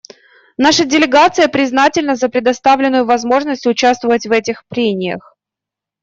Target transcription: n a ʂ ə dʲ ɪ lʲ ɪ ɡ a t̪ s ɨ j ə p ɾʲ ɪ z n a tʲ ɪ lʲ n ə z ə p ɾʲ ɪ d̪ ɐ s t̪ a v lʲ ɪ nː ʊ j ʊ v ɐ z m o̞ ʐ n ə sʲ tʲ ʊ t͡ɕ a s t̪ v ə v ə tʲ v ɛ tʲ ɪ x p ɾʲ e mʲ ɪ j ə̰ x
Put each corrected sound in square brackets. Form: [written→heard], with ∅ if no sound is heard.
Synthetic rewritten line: n a ʂ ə dʲ ɪ lʲ ɪ ɡ a t̪ s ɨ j ə p ɾʲ ɪ z n a tʲ ɪ lʲ n ə z ə p ɾʲ ɪ d̪ ɐ s t̪ a v lʲ ɪ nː ʊ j ʊ v ɐ z m o̞ ʐ n ə sʲ tʲ ʊ t͡ɕ a s t̪ v ə v ə tʲ v ɛ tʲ ɪ x p ɾʲ e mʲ ɪ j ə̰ x